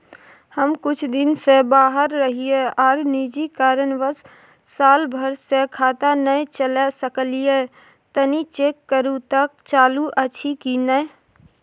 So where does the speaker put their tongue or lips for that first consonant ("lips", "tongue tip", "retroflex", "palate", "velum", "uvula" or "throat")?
throat